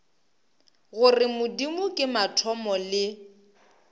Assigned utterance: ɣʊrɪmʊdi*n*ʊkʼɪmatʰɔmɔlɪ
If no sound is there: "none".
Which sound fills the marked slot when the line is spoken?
m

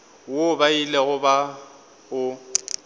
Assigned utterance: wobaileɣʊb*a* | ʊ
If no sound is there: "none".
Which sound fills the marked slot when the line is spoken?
a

